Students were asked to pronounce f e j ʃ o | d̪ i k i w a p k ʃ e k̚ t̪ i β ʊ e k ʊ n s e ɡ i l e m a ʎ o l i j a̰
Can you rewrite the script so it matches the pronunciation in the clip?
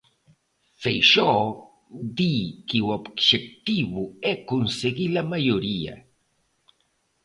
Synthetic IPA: f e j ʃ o | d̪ i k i w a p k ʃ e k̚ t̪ i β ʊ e k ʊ n s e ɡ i l a m a j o ɾ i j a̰

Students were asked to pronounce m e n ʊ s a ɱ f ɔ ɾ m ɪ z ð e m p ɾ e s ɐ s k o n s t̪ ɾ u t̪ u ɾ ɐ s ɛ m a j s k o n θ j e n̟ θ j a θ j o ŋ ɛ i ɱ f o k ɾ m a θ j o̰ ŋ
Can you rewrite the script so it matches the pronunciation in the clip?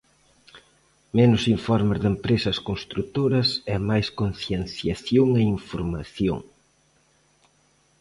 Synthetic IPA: m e n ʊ s i ɱ f ɔ ɾ m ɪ z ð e m p ɾ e s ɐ s k o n s t̪ ɾ u t̪ o ɾ ɐ s ɛ m a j s k o n θ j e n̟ θ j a θ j o ŋ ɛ i ɱ f o ɾ m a θ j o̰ ŋ

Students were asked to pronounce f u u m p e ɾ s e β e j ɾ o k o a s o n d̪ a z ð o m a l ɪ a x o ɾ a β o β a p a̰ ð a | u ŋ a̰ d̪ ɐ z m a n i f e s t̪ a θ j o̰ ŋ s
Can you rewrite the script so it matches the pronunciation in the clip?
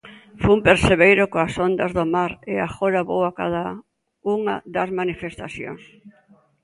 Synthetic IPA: f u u m p e ɾ s e β e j ɾ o k o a s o n d̪ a z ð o m a ɾ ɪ a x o ɾ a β o w a k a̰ ð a | u ŋ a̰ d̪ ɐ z m a n i f e s t̪ a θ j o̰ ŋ s

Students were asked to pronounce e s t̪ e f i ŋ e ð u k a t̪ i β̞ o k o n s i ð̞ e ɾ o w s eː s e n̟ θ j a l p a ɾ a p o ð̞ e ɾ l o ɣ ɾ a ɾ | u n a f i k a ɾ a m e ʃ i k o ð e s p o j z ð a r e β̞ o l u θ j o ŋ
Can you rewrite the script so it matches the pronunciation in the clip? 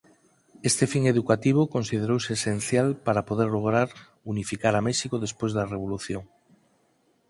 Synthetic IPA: e s t̪ e f i ŋ e ð u k a t̪ i β̞ o k o n s i ð̞ e ɾ o w s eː s e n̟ θ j a l p a ɾ a p o ð̞ e ɾ l o ɣ ɾ a ɾ | u n i f i k a ɾ a m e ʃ i k o ð e s p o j z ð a r e β̞ o l u θ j o ŋ

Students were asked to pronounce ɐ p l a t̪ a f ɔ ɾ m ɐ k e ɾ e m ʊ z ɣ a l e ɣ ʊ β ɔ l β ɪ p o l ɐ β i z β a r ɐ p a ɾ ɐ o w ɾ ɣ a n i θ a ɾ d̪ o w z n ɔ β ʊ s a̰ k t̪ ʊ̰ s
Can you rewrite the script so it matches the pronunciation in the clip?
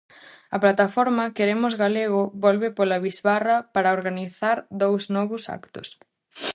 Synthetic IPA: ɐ p l a t̪ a f ɔ ɾ m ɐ k e ɾ e m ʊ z ɣ a l e ɣ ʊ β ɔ l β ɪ p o l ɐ β i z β a r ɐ p a ɾ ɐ o ɾ ɣ a n i θ a ɾ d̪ o w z n ɔ β ʊ s a̰ k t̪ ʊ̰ s

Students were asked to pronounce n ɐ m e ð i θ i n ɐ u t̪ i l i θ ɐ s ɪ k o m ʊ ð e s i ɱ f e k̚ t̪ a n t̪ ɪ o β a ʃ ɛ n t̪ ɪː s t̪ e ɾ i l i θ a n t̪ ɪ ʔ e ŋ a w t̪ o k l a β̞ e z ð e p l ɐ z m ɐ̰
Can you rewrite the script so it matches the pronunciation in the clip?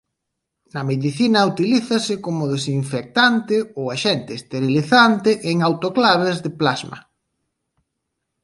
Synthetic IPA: n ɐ m e ð i θ i n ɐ u t̪ i l i θ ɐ s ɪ k o m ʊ ð e s i ɱ f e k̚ t̪ a n t̪ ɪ o w a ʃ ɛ n t̪ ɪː s t̪ e ɾ i l i θ a n t̪ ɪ ʔ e ŋ a w t̪ o k l a β̞ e z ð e p l a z m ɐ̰

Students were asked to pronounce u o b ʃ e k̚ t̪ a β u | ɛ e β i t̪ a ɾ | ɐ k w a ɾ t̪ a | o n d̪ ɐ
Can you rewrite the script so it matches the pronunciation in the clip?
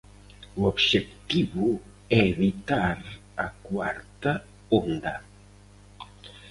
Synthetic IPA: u o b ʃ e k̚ t̪ i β u | ɛ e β i t̪ a ɾ | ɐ k w a ɾ t̪ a | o n d̪ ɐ

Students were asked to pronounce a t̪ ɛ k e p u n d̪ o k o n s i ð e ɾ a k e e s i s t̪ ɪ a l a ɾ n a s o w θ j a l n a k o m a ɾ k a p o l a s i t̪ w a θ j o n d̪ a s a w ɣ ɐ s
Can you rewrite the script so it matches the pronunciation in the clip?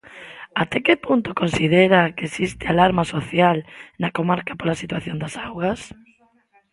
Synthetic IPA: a t̪ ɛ k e p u n t̪ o k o n s i ð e ɾ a k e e s i s t̪ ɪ a l a ɾ m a s o θ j a l n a k o m a ɾ k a p o l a s i t̪ w a θ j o n d̪ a s a w ɣ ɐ s

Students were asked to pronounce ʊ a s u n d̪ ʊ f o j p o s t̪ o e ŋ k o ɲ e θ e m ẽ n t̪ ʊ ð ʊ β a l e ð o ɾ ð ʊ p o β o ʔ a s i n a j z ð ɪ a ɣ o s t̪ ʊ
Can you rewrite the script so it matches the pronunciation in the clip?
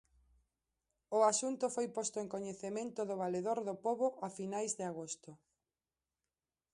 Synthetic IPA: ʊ a s u n t̪ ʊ f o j p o s t̪ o e ŋ k o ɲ e θ e m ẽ n t̪ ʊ ð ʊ β a l e ð o ɾ ð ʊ p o β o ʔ a f i n a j z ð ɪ a ɣ o s t̪ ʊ

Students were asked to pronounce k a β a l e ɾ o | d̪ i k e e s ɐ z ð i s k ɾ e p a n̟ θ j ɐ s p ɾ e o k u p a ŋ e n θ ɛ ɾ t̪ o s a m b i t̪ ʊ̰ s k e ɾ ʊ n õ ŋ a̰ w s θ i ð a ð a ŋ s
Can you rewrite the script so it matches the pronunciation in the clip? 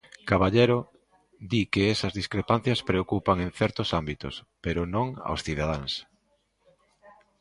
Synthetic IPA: k a β a ʎ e ɾ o | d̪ i k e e s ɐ z ð i s k ɾ e p a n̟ θ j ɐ s p ɾ e o k u p a ŋ e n θ ɛ ɾ t̪ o s a m b i t̪ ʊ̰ s p e ɾ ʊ n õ ŋ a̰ w s θ i ð a ð a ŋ s

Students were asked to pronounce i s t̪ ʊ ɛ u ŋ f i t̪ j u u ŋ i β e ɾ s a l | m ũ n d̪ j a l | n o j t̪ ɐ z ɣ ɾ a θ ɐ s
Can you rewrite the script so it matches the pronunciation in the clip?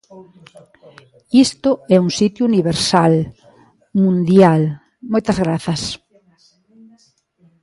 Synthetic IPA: i s t̪ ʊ ɛ u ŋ s i t̪ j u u n i β e ɾ s a l | m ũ n d̪ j a l | m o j t̪ ɐ z ɣ ɾ a θ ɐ s

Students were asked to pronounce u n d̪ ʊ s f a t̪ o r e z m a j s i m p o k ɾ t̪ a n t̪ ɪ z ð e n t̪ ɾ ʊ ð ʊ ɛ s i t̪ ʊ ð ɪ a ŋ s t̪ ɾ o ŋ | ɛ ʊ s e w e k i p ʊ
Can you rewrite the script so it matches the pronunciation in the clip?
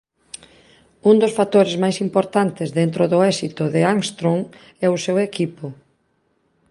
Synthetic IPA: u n d̪ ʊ s f a t̪ o ɾ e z m a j s i m p o ɾ t̪ a n t̪ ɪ z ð e n t̪ ɾ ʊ ð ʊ ɛ s i t̪ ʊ ð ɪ a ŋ s t̪ ɾ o ŋ | ɛ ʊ s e w e k i p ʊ

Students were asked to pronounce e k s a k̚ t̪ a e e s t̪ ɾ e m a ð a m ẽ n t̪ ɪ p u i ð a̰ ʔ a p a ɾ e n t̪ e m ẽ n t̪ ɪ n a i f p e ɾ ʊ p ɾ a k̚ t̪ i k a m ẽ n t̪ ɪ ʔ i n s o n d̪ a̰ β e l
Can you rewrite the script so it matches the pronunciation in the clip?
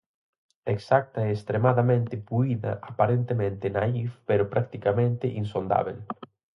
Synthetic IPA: e k s a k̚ t̪ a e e s t̪ ɾ e m a ð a m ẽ n t̪ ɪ p u i ð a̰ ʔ a p a ɾ e n t̪ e m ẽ n t̪ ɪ n a i f p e ɾ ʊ p ɾ a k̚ t̪ i k a m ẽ n t̪ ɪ ʔ i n s o n d̪ a̰ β e l

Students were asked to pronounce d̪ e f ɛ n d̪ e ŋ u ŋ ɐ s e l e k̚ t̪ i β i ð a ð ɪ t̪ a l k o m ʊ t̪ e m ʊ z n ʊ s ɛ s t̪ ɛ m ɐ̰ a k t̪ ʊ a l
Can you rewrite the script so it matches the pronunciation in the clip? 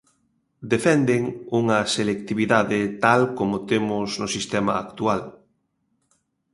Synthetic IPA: d̪ e f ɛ n d̪ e ŋ u ŋ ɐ s e l e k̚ t̪ i β i ð a ð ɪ t̪ a l k o m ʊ t̪ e m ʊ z n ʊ s i s t̪ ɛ m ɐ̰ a k t̪ u a l

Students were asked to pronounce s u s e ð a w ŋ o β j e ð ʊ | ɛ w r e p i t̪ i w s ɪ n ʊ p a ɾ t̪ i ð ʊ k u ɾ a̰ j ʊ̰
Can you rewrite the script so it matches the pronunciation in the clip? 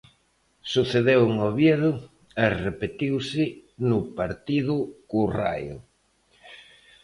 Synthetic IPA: s u θ e ð e w ŋ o β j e ð ʊ | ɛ r e p e t̪ i w s ɪ n ʊ p a ɾ t̪ i ð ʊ k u r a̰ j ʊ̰

